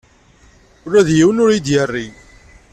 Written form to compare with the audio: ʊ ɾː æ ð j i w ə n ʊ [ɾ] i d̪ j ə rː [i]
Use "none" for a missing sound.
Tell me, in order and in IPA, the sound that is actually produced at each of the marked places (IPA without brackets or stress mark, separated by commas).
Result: ɾ, i